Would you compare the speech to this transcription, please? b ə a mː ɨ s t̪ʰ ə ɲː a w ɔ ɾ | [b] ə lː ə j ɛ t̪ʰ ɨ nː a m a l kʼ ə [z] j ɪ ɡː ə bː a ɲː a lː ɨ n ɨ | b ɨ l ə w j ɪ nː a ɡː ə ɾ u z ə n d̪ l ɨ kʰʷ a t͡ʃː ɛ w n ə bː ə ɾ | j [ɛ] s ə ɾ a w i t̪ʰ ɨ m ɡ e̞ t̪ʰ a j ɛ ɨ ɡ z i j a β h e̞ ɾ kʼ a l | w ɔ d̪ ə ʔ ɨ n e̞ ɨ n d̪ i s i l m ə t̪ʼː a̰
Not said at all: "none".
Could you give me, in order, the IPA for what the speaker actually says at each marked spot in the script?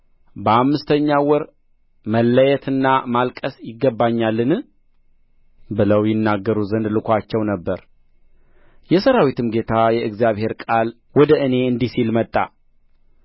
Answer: m, s, ɛ

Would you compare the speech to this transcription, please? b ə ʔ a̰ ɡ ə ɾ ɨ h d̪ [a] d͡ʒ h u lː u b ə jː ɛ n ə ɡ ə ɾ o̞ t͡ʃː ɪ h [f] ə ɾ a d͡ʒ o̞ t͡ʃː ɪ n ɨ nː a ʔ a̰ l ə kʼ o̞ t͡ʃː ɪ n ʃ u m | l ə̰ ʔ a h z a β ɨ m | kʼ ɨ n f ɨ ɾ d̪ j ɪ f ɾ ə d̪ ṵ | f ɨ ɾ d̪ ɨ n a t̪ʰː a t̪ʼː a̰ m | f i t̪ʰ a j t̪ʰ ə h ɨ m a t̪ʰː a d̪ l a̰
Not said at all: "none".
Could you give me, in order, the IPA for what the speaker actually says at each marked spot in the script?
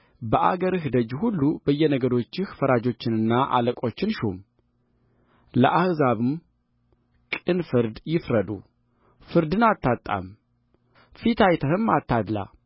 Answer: ə, f

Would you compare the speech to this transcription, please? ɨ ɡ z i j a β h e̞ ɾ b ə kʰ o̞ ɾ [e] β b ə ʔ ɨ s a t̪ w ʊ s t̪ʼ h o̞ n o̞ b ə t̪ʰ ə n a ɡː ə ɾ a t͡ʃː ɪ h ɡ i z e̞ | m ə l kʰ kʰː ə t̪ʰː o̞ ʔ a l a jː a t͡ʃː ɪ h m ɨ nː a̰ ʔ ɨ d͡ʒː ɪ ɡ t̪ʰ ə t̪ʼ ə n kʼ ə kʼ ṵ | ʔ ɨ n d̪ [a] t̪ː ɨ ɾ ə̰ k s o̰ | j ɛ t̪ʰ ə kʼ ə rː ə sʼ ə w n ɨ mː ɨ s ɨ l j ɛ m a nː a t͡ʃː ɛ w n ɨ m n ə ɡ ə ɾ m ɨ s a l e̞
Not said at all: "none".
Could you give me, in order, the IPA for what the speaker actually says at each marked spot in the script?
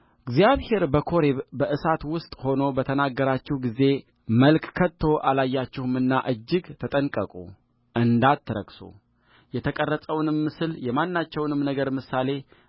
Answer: e, a

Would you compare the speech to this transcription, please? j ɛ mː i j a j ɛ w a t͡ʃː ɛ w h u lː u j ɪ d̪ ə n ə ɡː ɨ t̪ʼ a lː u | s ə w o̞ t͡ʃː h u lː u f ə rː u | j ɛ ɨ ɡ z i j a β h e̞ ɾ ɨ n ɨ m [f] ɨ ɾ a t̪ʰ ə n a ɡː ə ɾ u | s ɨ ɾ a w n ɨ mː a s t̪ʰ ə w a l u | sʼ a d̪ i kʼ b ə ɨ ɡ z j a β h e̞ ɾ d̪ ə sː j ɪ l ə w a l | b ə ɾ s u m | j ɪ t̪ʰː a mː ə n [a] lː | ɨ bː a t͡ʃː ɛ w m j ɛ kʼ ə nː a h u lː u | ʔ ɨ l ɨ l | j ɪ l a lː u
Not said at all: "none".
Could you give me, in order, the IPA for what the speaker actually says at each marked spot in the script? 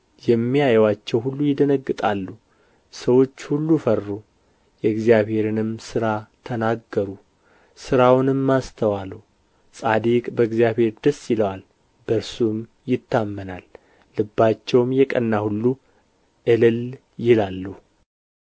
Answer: s, a

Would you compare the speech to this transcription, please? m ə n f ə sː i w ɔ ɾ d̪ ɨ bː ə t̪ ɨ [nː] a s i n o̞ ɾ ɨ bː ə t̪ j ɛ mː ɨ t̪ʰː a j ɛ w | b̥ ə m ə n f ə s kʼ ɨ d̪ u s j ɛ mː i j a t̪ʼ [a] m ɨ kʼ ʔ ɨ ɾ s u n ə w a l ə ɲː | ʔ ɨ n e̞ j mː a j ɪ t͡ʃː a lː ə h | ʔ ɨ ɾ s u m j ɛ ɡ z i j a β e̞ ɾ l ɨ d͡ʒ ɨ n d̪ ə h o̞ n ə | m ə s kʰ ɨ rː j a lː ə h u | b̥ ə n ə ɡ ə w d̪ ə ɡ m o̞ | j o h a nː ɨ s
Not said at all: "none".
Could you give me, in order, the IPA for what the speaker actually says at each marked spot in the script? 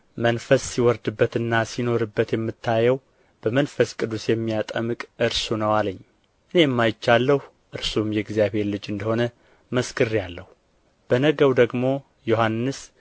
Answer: nː, ə

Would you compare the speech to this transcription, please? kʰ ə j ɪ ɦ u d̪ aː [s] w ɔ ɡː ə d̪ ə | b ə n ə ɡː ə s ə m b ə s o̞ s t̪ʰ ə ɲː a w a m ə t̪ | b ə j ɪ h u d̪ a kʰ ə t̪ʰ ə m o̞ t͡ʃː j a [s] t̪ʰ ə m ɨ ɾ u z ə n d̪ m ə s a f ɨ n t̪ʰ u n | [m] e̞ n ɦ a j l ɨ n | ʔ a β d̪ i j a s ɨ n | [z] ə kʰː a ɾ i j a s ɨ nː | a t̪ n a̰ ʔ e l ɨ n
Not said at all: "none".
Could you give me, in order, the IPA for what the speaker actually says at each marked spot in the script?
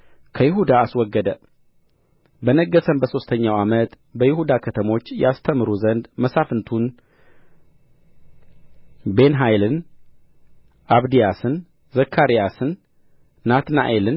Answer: s, s, b, z

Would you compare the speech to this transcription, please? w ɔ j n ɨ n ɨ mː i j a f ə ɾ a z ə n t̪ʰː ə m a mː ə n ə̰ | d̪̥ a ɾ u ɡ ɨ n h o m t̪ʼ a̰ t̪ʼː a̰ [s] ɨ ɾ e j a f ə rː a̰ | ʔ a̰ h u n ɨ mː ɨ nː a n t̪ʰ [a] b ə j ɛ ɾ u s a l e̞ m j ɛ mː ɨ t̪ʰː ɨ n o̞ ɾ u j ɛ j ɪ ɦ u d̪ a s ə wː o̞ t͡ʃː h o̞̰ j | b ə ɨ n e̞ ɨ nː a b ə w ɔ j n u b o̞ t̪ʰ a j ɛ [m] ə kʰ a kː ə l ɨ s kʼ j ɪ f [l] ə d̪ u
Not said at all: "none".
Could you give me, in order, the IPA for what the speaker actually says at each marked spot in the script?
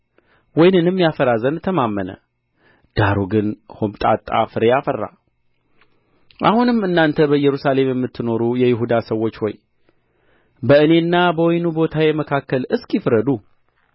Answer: f, ə, m, ɾ

